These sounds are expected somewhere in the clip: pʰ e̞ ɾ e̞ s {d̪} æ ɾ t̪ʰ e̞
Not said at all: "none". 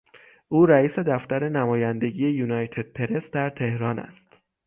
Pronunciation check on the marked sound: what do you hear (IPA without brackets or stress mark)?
d̪